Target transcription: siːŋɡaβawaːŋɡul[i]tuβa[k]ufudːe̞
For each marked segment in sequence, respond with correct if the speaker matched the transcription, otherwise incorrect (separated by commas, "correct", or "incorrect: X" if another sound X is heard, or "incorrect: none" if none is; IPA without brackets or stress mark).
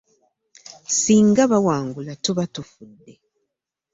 incorrect: a, incorrect: t